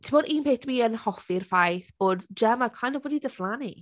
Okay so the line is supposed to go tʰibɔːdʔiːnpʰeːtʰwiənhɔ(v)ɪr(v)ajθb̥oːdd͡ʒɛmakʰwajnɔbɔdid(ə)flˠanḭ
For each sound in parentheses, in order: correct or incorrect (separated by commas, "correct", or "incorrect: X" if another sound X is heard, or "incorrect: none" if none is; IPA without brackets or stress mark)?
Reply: incorrect: f, incorrect: f, correct